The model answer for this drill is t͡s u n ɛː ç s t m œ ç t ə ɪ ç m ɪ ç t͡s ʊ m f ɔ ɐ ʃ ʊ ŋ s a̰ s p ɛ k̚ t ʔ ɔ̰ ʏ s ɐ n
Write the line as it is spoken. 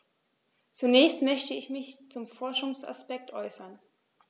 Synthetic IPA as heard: t͡s u n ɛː ç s t m œ ç t ə ɪ ç m ɪ ç t͡s ʊ m f ɔ ɐ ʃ ʊ ŋ s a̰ s p ɛ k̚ t ʔ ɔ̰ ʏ s ɐ n

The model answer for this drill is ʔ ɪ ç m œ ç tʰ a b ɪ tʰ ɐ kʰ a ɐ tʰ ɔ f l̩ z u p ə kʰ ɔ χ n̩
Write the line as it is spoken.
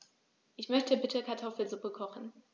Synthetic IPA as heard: ʔ ɪ ç m œ ç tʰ ə b ɪ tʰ ə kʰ a ɐ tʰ ɔ f l̩ z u p ə kʰ ɔ χ n̩

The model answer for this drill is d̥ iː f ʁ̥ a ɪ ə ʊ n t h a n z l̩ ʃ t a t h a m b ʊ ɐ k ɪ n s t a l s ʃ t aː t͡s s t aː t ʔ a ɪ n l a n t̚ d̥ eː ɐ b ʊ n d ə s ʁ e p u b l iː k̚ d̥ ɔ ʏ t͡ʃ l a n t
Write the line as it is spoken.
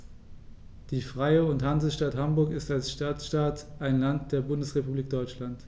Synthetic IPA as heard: d̥ iː f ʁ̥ a ɪ ə ʊ n t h a n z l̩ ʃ t a t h a m b ʊ ɐ k ɪ s t a l s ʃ t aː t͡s ʃ t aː t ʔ a ɪ n l a n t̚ d̥ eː ɐ b ʊ n d ə s ʁ e p u b l iː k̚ d̥ ɔ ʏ t͡ʃ l a n t

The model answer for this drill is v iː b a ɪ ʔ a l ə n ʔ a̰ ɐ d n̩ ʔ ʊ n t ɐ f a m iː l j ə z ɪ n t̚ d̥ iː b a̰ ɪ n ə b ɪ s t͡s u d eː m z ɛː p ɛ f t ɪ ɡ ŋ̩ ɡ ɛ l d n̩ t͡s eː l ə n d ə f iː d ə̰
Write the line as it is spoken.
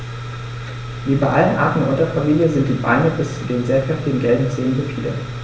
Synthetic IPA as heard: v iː b a ɪ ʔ a l ə n ʔ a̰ ɐ t n̩ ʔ ʊ n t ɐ f a m iː l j ə z ɪ n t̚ d̥ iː b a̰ ɪ n ə b ɪ s t͡s u d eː n z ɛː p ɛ f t ɪ ɡ ŋ̩ ɡ ɛ l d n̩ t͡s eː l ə n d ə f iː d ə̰

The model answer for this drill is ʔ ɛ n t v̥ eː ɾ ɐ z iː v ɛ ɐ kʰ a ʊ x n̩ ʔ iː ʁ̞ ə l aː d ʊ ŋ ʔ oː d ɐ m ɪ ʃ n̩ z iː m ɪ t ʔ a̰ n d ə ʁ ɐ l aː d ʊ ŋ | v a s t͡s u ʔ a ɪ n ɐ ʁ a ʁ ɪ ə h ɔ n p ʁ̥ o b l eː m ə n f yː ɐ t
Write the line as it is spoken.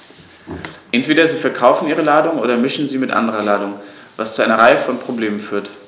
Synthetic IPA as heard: ʔ ɛ n t v̥ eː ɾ ɐ z iː f ɛ ɐ kʰ a ʊ f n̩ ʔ iː ʁ̞ ə l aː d ʊ ŋ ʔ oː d ɐ m ɪ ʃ n̩ z iː m ɪ t ʔ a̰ n d ə ʁ ɐ l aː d ʊ ŋ | v a s t͡s u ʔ a ɪ n ɐ ʁ a ɪ ə f ɔ n p ʁ̥ o b l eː m ə n f yː ɐ t

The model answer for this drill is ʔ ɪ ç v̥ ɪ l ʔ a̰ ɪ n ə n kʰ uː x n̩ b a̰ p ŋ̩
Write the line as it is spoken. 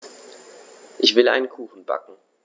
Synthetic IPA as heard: ʔ ɪ ç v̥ ɪ l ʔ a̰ ɪ n ə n kʰ uː x n̩ b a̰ k ŋ̩

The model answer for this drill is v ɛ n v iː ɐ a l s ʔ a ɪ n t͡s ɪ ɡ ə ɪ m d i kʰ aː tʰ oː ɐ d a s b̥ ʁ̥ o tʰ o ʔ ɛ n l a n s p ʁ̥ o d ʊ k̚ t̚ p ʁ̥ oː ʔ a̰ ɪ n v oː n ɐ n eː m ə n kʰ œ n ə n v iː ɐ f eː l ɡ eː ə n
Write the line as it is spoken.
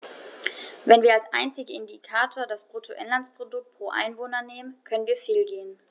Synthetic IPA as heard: v ɛ n v iː ɐ a l s ʔ a ɪ n t͡s ɪ ɡ ə ɪ n d i kʰ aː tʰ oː ɐ d a s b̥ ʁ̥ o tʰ o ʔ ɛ n l a n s p ʁ̥ o d ʊ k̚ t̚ p ʁ̥ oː ʔ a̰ ɪ n v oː n ɐ n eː m ə n kʰ œ n ə n v iː ɐ f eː l ɡ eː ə n

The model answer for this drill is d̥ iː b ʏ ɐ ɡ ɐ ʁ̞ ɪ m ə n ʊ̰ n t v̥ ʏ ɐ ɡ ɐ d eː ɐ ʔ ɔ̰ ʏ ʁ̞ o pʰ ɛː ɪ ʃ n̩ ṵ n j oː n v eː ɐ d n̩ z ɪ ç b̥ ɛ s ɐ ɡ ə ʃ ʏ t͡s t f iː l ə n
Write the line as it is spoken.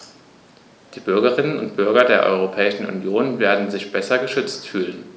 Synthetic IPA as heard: d̥ iː b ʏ ɐ ɡ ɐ ʁ̞ ɪ n ə n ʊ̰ n t b̥ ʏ ɐ ɡ ɐ d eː ɐ ʔ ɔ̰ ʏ ʁ̞ o pʰ ɛː ɪ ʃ n̩ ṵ n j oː n v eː ɐ d n̩ z ɪ ç b̥ ɛ s ɐ ɡ ə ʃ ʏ t͡s t f yː l ə n

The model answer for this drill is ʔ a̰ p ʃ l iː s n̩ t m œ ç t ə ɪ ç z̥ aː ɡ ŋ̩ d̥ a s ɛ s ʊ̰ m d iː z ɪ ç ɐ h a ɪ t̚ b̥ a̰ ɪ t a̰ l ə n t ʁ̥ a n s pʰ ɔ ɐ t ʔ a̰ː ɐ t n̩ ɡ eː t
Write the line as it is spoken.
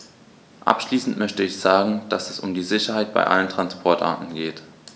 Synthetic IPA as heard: ʔ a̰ p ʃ l iː s n̩ t m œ ç t ə ɪ ç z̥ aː ɡ ŋ̩ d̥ a s ɛ s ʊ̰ m d iː z ɪ ç ɐ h a ɪ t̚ b̥ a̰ ɪ ʔ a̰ l ə n t ʁ̥ a n s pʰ ɔ ɐ t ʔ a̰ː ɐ t n̩ ɡ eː t

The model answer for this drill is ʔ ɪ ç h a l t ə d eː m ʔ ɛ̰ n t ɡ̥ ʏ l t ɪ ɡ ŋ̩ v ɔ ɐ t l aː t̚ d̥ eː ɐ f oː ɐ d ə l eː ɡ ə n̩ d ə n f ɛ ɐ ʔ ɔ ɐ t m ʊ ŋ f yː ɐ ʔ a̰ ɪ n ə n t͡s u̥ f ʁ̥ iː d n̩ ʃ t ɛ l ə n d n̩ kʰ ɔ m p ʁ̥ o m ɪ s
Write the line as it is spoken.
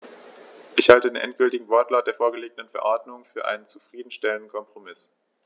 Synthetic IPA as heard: ʔ ɪ ç h a l t ə d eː n ʔ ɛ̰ n t ɡ̥ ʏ l t ɪ ɡ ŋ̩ v ɔ ɐ t l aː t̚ d̥ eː ɐ f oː ɐ ɡ ə l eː ɡ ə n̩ d ə n f ɛ ɐ ʔ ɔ ɐ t m ʊ ŋ f yː ɐ ʔ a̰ ɪ n ə n t͡s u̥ f ʁ̥ iː d n̩ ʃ t ɛ l ə n d n̩ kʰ ɔ m p ʁ̥ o m ɪ s

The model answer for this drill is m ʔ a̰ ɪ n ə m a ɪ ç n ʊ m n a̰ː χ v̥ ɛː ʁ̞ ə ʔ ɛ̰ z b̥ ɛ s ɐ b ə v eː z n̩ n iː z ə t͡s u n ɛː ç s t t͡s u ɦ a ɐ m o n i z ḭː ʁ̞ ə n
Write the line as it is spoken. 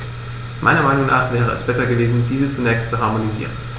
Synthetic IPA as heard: m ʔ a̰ ɪ n ɐ m a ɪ n ʊ ŋ n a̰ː χ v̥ ɛː ʁ̞ ə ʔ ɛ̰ s b̥ ɛ s ɐ ɡ ə v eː z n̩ d iː z ə t͡s u n ɛː ç s t t͡s u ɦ a ɐ m o n i z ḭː ʁ̞ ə n

